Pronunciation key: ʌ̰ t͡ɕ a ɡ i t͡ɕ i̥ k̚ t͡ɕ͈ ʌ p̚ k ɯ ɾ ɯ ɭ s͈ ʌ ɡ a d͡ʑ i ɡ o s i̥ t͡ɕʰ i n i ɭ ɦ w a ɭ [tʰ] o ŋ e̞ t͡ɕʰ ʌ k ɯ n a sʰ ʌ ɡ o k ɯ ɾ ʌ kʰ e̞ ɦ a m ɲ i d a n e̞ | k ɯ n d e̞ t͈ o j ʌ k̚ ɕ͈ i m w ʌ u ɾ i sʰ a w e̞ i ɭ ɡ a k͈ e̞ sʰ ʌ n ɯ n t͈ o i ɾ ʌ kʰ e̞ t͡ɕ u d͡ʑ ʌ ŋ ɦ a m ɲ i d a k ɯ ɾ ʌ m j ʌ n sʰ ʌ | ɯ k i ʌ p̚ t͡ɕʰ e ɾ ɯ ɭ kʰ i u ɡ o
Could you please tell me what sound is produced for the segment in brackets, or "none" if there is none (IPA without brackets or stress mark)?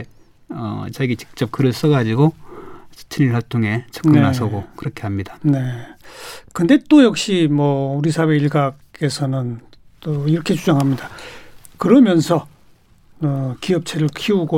tʰ